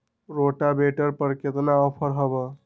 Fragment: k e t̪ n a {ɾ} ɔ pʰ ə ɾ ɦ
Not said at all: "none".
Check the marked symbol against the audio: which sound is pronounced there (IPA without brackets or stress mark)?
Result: none